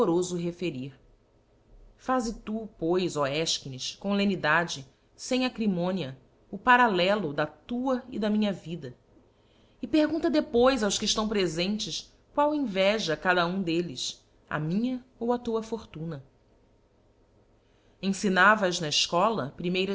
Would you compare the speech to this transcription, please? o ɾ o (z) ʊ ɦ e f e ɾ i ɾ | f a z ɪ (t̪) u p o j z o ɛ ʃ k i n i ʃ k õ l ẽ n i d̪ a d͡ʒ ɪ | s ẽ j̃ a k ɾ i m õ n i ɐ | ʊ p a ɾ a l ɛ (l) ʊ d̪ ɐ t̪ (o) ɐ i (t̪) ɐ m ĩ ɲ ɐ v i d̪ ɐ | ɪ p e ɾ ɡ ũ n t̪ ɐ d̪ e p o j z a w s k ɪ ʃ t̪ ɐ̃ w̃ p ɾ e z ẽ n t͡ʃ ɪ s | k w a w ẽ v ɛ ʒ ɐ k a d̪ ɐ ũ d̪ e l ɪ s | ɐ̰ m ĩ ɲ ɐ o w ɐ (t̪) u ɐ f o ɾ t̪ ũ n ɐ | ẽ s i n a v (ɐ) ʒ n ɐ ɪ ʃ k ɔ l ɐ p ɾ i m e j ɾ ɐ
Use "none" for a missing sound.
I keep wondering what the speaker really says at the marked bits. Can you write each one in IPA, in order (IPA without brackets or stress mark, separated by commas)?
z, t̪, l, u, d̪, t̪, ɐ